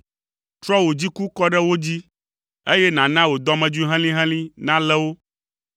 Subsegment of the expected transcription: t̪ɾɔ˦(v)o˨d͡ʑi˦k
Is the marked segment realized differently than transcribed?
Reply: yes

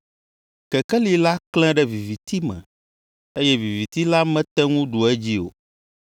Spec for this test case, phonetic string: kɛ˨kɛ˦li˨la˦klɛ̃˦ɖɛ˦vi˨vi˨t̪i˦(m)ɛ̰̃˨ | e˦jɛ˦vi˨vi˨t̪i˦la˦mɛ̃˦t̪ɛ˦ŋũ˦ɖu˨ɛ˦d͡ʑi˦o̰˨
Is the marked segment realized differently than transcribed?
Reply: no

